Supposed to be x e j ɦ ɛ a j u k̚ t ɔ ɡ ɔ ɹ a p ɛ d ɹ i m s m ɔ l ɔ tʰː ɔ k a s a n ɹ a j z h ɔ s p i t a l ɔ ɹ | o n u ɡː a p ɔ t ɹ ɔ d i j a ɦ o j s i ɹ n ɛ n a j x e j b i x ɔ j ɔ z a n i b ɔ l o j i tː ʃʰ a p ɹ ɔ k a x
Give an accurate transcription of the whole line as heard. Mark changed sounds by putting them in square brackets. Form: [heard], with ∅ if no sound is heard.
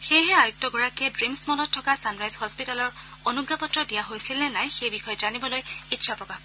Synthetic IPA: x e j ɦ ɛ a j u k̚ t ɔ ɡ ɔ ɹ a [k] ɛ d ɹ i m s m ɔ l ɔ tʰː ɔ k a s a n ɹ a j z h ɔ s p i t a l ɔ ɹ | o n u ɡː a p ɔ t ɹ ɔ d i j a ɦ o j s i [l] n ɛ n a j x e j b i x ɔ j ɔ z a n i b ɔ l o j i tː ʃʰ a p ɹ ɔ k a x